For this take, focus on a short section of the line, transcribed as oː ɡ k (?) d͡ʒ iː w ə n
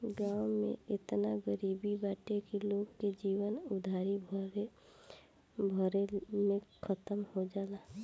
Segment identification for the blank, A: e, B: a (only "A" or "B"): A